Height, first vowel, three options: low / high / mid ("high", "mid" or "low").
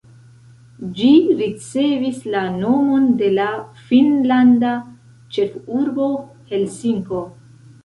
high